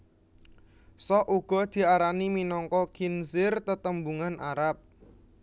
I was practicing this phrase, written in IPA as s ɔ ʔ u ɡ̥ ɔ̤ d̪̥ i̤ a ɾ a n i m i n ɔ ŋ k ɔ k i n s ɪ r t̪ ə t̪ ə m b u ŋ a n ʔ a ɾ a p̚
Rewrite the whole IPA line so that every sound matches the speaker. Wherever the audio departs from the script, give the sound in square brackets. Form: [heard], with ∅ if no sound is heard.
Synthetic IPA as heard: s ɔ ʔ u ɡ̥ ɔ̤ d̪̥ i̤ a ɾ a n i m i n ɔ ŋ k ɔ k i n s ɪ r t̪ ə t̪ ə m b u ŋ a n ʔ a ɾ a p̚